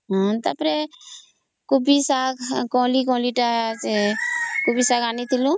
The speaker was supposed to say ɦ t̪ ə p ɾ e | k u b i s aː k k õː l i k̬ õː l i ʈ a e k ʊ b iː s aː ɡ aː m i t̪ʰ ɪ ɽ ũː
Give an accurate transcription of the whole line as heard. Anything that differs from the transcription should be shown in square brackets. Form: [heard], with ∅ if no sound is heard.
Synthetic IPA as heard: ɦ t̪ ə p ɾ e | k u b i s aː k k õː l i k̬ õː l i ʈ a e k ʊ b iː s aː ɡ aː [n] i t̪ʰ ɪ [l] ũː